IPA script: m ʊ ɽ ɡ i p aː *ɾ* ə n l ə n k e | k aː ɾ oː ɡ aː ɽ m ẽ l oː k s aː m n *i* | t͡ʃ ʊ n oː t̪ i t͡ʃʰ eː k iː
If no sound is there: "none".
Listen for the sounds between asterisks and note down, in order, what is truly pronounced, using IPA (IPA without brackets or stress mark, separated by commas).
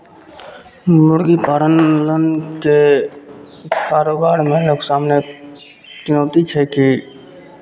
ɾ, e